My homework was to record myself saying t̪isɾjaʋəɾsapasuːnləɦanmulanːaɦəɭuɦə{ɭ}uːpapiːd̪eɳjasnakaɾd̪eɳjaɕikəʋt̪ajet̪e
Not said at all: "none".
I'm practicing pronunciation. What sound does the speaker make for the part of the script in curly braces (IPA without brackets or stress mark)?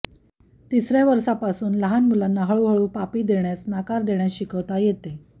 ɭ